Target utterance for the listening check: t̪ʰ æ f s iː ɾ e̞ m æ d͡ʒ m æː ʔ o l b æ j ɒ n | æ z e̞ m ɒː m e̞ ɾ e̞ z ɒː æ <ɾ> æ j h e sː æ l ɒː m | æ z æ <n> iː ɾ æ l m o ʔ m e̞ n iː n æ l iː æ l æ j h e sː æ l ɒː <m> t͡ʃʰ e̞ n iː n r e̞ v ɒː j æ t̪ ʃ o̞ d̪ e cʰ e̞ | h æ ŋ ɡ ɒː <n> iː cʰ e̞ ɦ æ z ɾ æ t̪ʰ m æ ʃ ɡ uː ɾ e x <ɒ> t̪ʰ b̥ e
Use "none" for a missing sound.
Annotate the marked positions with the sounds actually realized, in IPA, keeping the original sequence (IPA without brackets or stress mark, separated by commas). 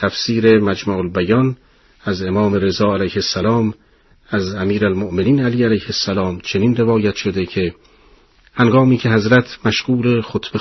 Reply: l, m, m, m, o